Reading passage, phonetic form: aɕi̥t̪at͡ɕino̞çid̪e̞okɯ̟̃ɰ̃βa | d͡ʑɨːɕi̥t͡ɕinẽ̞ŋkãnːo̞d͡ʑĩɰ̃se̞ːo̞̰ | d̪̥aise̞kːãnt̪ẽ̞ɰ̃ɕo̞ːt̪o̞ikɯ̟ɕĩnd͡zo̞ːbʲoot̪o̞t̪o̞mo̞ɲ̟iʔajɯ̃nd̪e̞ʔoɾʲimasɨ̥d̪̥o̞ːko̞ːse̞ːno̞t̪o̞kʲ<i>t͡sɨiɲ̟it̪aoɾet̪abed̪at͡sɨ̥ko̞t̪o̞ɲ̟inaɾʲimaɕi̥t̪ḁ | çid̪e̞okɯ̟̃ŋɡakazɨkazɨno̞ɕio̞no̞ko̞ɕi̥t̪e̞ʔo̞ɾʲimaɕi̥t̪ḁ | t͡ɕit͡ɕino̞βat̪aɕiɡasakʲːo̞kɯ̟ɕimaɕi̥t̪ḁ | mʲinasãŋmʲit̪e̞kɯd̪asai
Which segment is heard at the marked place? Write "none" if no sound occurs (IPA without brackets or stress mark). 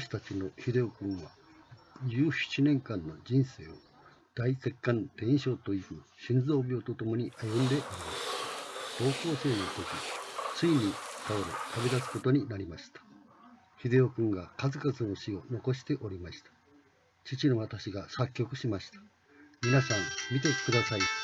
i